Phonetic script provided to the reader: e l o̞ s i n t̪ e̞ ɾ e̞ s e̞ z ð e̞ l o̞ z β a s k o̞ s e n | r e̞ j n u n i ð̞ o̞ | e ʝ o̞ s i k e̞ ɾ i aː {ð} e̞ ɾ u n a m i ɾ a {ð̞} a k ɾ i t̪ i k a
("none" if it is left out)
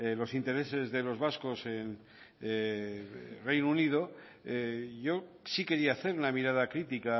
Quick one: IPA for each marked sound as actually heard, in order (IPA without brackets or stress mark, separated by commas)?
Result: θ, ð̞